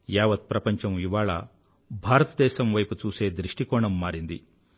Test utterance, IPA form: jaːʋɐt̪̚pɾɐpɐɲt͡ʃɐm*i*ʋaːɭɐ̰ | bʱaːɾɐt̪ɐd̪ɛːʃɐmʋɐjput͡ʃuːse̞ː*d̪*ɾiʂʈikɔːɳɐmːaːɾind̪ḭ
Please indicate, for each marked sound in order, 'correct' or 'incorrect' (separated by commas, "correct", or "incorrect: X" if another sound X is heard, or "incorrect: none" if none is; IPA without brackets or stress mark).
correct, correct